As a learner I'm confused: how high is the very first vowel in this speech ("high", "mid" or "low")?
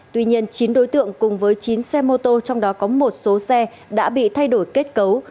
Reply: high